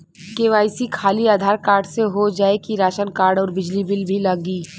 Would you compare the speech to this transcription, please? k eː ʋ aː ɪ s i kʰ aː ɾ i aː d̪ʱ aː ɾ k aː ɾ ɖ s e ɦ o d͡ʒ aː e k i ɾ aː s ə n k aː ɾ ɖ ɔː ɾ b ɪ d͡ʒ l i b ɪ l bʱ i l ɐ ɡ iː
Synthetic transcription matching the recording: k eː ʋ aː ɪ s i kʰ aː l i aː d̪ʱ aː ɾ k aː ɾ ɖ s e ɦ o d͡ʒ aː e k i ɾ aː ʃ ə n k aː ɾ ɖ ɔː ɾ b ɪ d͡ʒ l i b ɪ l bʱ i l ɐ ɡ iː

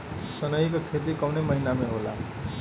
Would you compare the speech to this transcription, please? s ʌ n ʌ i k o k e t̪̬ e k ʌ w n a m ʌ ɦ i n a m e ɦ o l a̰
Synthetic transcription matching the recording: s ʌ n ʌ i k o kʰ e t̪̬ i k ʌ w n e m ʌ ɦ i n a m e ɦ o l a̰

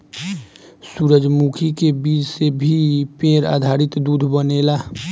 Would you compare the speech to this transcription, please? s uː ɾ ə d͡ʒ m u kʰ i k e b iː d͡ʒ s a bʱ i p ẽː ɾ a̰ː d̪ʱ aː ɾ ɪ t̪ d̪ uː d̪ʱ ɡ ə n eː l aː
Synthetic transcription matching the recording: s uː ɾ ə d͡ʒ m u kʰ i k e b iː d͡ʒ s e bʱ i p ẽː ɾ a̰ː d̪ʱ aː ɾ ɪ t̪ d̪ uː d̪ʱ b ə n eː l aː

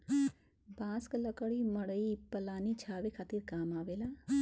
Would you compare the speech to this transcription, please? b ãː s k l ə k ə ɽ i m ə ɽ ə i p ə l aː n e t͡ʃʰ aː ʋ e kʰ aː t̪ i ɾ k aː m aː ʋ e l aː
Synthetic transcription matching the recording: b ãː s k l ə k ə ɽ i m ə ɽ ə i p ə l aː n i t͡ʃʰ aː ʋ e kʰ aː t̪ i ɾ k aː m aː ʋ e l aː

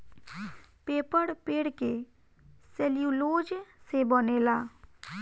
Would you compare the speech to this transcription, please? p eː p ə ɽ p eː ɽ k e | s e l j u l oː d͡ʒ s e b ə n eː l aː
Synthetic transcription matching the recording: p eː p ə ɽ p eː ɽ k e | s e l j u l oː d͡ʒ s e b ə n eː l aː

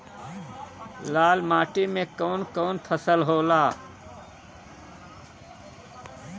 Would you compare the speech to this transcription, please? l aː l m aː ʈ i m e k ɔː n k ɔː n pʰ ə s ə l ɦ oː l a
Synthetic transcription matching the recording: l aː l m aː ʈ i m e k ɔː n k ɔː n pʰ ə s ə l ɦ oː l a

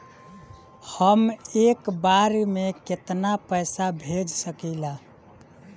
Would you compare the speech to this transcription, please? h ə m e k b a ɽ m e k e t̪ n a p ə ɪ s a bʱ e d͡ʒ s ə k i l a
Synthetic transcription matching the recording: h ə m e k b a ɾ m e k e t̪ n a p ə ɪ s a bʱ e d͡ʒ s ə k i l a

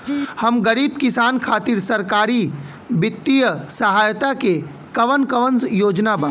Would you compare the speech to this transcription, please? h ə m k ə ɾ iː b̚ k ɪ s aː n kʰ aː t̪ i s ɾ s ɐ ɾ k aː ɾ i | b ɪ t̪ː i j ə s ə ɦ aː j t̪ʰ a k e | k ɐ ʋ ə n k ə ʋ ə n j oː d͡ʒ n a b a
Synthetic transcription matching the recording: h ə m ɡ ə ɾ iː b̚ k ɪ s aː n kʰ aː t̪ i ɾ s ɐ ɾ k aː ɾ i | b ɪ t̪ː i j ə s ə ɦ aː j t̪ a k e | k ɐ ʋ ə n k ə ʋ ə n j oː d͡ʒ n a b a

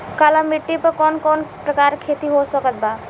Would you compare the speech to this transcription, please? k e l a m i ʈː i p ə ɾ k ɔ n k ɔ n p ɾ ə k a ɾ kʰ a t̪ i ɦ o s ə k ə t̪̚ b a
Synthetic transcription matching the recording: k a l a m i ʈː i p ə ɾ k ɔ n k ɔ n p ɾ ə k a ɾ kʰ e t̪ i ɦ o s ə k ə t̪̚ b a

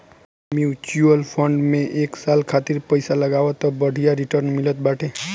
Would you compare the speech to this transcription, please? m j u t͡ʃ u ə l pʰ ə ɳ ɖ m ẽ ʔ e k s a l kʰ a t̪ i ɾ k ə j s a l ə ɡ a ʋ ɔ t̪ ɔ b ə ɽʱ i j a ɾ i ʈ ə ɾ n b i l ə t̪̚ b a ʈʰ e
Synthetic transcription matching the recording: m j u t͡ʃ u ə l pʰ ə ɳ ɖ m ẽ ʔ e k s a l kʰ a t̪ i ɾ p ə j s a l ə ɡ a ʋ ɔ t̪ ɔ b ə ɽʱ i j a ɾ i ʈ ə ɾ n m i l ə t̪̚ b a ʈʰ e

